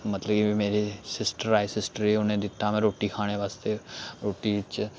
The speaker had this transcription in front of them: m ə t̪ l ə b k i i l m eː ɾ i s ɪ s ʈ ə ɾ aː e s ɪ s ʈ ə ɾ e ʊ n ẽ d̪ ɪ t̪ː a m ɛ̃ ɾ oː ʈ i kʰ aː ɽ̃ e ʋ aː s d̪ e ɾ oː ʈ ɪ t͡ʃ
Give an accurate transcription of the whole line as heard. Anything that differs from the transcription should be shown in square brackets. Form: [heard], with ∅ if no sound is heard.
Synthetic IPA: m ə t̪ l ə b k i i [∅] m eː ɾ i s ɪ s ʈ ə ɾ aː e s ɪ s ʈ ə ɾ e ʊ n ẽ d̪ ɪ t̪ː a m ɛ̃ ɾ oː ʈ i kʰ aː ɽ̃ e ʋ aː s [t̪] e ɾ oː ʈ [i] t͡ʃ